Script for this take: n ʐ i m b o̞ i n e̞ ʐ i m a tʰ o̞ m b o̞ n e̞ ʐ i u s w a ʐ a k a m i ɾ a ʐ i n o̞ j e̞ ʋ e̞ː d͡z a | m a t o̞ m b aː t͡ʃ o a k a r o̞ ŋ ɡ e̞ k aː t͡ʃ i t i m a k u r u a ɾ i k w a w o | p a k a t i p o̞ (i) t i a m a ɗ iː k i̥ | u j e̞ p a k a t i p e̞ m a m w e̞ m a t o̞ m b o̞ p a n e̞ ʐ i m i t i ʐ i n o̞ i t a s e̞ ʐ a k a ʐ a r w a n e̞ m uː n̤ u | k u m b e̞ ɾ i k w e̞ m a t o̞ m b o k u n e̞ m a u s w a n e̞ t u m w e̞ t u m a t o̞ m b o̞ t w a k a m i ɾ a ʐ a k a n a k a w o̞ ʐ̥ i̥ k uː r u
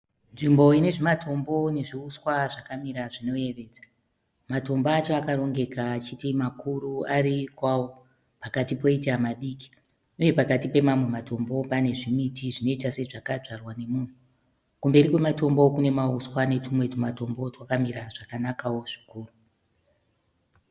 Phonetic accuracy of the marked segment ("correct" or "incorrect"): correct